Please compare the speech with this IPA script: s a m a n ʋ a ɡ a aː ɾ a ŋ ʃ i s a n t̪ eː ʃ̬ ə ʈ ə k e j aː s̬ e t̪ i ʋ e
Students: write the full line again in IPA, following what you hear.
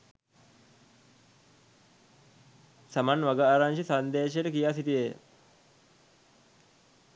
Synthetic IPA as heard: s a m a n ʋ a ɡ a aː ɾ a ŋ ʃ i s a n d̪ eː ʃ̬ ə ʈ ə k i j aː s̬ i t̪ i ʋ e